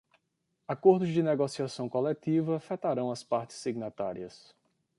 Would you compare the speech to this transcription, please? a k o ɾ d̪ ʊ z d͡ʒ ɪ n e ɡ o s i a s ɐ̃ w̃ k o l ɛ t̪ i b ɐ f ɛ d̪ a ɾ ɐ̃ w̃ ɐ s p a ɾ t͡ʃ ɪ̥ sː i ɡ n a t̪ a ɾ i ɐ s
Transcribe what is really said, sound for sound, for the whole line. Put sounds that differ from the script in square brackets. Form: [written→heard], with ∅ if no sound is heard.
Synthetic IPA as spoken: a k o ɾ d̪ ʊ z d͡ʒ ɪ n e ɡ o s i a s ɐ̃ w̃ k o l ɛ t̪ i [b→v] ɐ f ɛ [d̪→t̪] a ɾ ɐ̃ w̃ ɐ s p a ɾ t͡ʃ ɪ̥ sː i ɡ n a t̪ a ɾ i ɐ s